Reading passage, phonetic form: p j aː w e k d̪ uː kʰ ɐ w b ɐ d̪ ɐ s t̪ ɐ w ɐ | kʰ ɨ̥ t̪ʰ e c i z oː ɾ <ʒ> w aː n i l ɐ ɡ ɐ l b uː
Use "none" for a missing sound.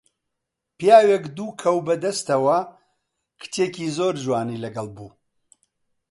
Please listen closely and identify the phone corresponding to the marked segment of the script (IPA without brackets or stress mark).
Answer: ʒ